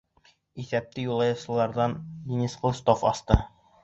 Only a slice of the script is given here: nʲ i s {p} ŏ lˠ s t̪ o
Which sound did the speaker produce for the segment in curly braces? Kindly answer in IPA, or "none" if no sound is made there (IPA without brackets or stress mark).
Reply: q